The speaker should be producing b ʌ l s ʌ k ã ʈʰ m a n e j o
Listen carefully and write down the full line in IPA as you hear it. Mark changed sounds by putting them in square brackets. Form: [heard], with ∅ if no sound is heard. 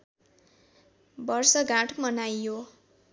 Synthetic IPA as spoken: b ʌ [r] s ʌ [ɡ] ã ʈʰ m [ʌ] n [a] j o